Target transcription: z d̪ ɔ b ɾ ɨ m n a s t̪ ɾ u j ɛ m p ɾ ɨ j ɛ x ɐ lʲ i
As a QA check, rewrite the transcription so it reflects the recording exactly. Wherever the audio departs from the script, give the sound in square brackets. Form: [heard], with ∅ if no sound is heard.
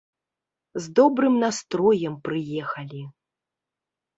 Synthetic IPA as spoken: z d̪ ɔ b ɾ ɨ m n a s t̪ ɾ [ɔ] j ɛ m p ɾ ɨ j ɛ x ɐ lʲ i